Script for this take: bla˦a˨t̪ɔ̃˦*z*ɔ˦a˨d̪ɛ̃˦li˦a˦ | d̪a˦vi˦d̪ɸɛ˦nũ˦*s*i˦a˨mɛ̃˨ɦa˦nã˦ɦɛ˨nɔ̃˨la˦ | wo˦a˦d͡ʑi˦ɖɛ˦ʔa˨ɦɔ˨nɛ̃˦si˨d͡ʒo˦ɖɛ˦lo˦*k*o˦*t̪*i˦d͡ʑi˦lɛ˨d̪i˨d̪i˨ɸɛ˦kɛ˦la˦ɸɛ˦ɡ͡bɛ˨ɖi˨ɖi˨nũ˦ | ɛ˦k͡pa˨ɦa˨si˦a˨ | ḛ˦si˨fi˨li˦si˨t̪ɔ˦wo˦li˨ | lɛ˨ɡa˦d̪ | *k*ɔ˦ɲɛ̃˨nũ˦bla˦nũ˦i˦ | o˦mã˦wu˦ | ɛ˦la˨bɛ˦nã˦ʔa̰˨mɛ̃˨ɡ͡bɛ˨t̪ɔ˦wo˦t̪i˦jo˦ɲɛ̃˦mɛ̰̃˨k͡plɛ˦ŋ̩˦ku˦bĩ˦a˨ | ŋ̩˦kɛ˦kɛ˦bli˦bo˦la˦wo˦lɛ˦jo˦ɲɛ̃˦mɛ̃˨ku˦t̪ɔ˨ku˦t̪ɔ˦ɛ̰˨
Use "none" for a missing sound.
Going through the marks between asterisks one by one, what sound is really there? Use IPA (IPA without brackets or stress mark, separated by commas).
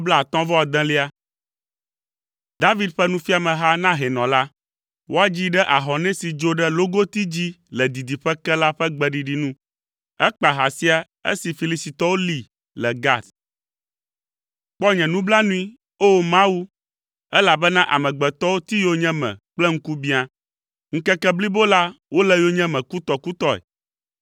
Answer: v, f, ɡ, t̪, k͡p